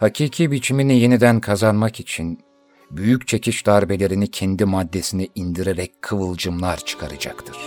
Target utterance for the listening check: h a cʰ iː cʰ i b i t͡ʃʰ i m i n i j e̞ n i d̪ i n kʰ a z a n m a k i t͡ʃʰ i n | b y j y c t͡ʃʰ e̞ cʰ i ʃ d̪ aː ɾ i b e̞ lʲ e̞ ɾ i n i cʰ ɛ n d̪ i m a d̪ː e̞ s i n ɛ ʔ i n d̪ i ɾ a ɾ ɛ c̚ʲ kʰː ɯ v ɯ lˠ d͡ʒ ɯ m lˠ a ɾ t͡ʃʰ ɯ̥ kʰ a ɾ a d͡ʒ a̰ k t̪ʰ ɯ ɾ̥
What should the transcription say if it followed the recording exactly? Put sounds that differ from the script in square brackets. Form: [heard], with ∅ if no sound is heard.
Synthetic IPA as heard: h a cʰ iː cʰ i b i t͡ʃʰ i m i n i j e̞ n i d̪ [æ] n kʰ a z a n m a k i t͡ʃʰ i n | b y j y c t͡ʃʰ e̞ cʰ i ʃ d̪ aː ɾ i b e̞ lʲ e̞ ɾ i n i cʰ ɛ n d̪ i m a d̪ː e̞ s i n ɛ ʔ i n d̪ i ɾ [e] ɾ ɛ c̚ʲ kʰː ɯ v ɯ lˠ d͡ʒ ɯ m lˠ a ɾ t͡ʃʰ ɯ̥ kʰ a ɾ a d͡ʒ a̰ k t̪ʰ ɯ ɾ̥